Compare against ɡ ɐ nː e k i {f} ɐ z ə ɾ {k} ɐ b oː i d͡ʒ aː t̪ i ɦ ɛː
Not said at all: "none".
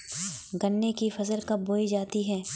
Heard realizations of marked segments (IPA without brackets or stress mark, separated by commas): f, k